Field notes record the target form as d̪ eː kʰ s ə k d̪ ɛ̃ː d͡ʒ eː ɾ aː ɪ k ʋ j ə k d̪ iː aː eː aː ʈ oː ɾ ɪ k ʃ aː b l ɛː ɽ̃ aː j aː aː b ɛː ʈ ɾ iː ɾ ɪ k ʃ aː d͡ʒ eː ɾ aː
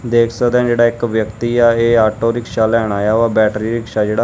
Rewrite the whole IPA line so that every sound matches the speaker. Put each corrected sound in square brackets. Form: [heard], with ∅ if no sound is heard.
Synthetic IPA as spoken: d̪ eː kʰ s ə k d̪ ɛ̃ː d͡ʒ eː [ɽ] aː ɪ k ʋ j ə k [t̪] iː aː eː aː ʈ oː ɾ ɪ k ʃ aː [∅] l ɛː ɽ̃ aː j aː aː b ɛː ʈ ɾ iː ɾ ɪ k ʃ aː d͡ʒ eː [ɽ] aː